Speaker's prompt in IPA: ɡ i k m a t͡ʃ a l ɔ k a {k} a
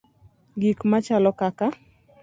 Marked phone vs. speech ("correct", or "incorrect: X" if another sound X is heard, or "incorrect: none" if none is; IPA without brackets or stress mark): correct